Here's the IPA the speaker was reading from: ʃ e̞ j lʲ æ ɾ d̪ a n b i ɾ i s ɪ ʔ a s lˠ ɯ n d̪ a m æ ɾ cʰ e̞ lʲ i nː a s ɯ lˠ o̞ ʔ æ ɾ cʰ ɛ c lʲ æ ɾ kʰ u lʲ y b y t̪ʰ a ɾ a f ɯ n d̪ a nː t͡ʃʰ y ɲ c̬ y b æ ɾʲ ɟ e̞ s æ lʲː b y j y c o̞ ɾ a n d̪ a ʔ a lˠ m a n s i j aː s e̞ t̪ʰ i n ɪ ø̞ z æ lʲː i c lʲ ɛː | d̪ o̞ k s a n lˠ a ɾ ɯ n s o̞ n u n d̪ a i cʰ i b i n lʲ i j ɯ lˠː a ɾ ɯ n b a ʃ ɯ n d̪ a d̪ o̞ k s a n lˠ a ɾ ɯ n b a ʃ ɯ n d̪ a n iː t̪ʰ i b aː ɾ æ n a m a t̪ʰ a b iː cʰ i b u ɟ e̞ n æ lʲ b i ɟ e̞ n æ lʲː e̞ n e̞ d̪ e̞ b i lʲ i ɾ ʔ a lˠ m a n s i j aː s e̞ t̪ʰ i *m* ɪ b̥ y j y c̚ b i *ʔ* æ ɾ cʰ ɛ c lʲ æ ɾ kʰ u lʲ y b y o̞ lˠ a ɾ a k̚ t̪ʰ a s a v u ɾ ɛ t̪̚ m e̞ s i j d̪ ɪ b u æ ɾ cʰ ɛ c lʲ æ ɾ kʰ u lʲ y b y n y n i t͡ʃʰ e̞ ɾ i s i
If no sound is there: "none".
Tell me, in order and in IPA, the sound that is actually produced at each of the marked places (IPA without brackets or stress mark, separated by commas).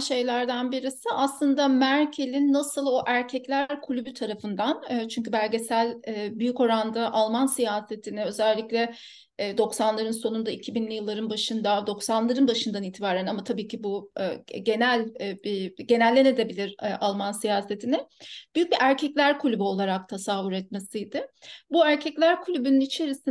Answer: n, ʔ